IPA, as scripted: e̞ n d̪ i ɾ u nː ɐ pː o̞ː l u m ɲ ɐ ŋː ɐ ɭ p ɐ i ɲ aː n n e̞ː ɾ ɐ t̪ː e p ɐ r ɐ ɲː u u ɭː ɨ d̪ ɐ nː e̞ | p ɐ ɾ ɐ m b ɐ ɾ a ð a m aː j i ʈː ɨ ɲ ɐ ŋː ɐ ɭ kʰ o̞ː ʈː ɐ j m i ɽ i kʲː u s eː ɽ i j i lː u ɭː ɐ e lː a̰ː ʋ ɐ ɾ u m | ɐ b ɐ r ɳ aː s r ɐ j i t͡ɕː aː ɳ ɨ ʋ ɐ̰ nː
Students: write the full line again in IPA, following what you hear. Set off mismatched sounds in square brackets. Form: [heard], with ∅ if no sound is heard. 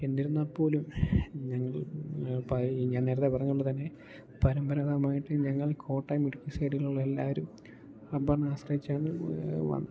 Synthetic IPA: e̞ n d̪ i ɾ u nː ɐ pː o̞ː l u m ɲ ɐ ŋː ɐ ɭ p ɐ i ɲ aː n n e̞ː ɾ ɐ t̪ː e p ɐ r ɐ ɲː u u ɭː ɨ [t̪] ɐ nː e̞ | p ɐ ɾ ɐ m b ɐ ɾ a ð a m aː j i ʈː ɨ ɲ ɐ ŋː ɐ ɭ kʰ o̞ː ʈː ɐ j m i ɽ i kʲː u s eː ɽ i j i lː u ɭː ɐ e lː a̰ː ʋ ɐ ɾ u m | ɐ b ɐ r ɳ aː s r ɐ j i t͡ɕː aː ɳ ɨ ʋ ɐ̰ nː